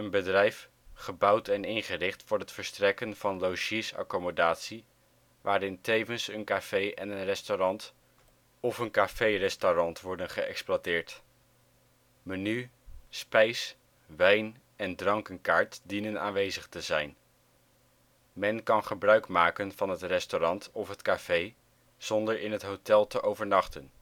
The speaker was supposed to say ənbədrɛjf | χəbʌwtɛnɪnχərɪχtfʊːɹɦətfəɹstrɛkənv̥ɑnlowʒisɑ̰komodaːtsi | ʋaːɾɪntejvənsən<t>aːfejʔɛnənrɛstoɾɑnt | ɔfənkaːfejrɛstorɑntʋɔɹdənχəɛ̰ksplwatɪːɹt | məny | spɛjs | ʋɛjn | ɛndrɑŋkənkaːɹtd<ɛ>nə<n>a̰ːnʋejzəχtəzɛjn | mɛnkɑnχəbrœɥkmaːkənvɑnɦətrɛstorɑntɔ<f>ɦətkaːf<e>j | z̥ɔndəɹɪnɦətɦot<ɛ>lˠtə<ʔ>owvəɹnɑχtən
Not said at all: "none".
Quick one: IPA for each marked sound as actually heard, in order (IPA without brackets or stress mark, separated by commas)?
k, i, n, f, e, ɛ, ʔ